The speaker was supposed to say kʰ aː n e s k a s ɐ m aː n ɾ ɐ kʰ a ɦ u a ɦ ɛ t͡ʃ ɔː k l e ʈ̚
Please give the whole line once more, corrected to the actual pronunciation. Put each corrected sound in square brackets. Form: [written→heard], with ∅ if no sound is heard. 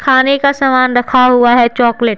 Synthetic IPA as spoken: kʰ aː n e [s→∅] k a s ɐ m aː n ɾ ɐ kʰ a ɦ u a ɦ ɛ t͡ʃ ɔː k l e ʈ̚